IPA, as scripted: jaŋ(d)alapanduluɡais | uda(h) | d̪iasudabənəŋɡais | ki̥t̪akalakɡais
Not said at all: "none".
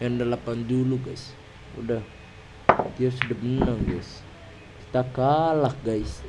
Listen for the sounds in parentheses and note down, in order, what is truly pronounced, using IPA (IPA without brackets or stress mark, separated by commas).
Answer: d, h